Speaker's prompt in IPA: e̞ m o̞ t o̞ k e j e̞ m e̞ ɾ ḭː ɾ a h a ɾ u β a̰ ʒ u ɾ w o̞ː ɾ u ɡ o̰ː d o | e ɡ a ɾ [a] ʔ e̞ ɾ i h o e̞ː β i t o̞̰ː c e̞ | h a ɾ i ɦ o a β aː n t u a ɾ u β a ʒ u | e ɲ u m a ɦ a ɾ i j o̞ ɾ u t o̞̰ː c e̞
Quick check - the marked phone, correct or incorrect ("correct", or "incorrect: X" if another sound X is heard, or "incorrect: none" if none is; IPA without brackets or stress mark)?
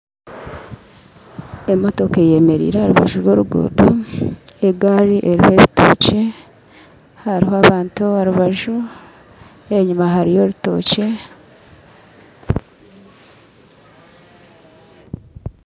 incorrect: i